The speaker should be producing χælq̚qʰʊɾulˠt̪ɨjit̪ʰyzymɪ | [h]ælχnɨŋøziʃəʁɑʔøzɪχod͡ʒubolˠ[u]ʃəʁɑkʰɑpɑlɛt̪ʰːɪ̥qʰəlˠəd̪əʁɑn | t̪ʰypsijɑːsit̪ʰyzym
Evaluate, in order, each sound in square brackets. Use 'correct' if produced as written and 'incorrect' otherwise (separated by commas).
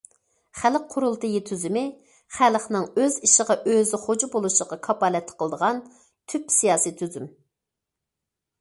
incorrect, correct